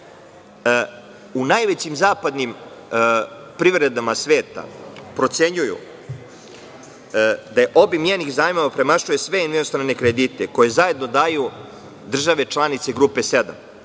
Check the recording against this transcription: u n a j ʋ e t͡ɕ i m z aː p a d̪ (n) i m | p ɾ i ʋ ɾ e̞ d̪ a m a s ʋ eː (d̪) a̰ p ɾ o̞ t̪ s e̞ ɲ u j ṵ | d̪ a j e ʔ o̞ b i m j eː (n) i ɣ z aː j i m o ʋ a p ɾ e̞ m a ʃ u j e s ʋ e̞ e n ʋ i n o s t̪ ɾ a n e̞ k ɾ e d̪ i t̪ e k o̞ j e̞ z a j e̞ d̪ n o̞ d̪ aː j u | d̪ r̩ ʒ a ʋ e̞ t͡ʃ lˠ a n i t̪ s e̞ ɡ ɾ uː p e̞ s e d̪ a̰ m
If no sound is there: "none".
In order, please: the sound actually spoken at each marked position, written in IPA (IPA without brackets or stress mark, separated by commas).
n, t̪, n